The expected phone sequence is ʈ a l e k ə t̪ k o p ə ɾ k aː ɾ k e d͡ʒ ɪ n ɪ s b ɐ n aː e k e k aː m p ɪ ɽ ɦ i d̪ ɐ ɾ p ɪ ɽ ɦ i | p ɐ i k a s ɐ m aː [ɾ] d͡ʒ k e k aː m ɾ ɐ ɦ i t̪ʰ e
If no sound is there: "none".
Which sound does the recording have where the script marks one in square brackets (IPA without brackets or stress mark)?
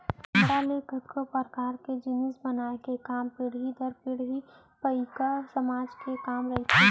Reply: none